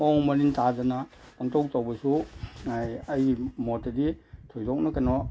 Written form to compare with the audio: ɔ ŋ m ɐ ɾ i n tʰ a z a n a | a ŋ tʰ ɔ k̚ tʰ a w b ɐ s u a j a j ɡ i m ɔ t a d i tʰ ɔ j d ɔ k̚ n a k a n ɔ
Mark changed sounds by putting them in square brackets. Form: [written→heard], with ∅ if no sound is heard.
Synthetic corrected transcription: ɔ ŋ m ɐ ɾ i n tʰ a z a n a | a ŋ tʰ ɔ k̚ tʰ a w b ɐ s u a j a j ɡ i m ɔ t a d i tʰ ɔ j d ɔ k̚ n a k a n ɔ